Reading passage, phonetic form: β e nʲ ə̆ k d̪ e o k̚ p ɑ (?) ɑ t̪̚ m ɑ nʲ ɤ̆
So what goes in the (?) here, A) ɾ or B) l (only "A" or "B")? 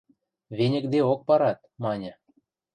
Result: A